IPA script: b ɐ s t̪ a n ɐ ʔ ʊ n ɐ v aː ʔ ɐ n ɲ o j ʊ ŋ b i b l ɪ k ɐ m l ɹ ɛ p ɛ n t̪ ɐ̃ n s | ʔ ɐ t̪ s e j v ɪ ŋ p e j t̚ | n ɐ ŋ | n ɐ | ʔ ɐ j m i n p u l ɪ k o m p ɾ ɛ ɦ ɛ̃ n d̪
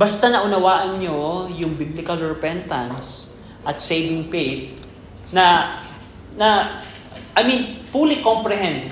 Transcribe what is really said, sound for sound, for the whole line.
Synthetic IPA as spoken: b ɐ s t̪ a n ɐ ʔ ʊ n ɐ w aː ʔ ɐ n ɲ o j ʊ ŋ b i b l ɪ k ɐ l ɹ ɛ p ɛ n t̪ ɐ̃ n s | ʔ ɐ t̪ s e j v ɪ ŋ p e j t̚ | n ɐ | n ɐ | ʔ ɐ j m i n p u l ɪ k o m p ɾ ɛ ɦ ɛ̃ n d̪